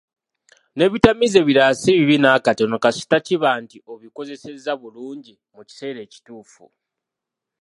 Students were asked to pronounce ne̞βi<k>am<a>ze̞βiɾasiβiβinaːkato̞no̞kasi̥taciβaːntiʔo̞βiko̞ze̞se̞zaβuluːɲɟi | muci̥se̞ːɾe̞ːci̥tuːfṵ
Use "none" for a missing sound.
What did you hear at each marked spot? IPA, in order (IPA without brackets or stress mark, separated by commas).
t, i